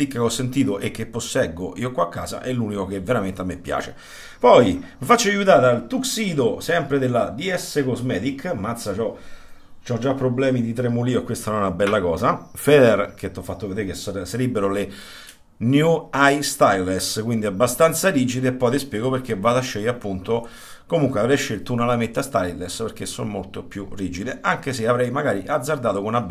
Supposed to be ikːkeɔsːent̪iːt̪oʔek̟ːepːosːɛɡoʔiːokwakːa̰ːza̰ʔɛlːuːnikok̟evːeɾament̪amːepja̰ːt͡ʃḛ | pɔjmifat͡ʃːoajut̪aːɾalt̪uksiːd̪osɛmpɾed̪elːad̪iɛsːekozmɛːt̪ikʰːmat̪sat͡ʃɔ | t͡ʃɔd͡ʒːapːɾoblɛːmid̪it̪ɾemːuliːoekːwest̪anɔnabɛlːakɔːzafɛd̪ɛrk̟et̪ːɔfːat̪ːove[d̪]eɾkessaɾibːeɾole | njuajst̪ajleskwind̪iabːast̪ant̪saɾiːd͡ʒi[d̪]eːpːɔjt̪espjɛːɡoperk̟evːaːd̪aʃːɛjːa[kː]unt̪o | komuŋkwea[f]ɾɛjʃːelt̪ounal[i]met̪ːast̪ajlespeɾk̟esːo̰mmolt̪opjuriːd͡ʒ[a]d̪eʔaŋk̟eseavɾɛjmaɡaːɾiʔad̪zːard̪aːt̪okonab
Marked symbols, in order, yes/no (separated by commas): yes, yes, no, no, no, no